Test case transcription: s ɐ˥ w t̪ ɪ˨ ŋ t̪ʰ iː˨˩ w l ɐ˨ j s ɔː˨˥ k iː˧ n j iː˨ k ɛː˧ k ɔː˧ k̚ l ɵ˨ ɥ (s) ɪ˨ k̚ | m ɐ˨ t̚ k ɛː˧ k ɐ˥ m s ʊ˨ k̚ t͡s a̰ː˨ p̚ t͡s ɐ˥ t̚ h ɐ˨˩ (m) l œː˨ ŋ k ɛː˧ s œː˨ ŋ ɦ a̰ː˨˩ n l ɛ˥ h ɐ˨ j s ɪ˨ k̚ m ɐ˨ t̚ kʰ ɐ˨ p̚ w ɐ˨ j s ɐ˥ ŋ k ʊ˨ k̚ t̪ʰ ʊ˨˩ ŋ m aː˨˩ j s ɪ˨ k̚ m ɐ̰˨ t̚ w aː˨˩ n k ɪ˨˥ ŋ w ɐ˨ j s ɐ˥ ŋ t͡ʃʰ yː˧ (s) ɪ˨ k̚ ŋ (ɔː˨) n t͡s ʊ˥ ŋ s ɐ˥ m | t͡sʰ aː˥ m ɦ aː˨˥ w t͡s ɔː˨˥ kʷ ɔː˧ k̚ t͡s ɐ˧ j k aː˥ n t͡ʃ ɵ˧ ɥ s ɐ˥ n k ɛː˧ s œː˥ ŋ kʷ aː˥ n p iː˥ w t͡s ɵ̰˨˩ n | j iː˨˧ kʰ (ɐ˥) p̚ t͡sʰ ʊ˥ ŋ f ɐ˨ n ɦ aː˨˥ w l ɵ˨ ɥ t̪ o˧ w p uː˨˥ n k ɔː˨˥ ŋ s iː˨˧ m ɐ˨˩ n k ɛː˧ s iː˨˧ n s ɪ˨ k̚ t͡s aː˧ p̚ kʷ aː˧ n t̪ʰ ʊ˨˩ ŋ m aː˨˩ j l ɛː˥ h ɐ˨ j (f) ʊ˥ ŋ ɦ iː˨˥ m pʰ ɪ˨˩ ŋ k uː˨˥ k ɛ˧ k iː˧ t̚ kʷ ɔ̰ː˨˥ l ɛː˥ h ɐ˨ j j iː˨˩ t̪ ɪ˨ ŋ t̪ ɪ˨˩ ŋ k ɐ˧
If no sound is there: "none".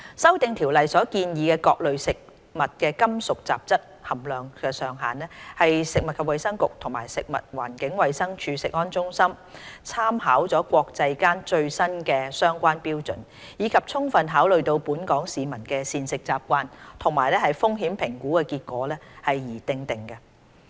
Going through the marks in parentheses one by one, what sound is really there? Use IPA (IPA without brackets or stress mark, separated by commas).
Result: s, m, s, ɔː˥, ɐ˨, f